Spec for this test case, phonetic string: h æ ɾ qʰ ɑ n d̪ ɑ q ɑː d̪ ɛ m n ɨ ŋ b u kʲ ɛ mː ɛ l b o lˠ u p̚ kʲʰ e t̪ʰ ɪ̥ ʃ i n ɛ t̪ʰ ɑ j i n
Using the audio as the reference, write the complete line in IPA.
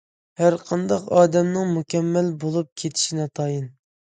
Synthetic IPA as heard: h æ ɾ qʰ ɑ n d̪ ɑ q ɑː d̪ ɛ m n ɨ ŋ m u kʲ ɛ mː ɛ l b o lˠ u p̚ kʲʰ e t̪ʰ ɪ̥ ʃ i n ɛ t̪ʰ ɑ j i n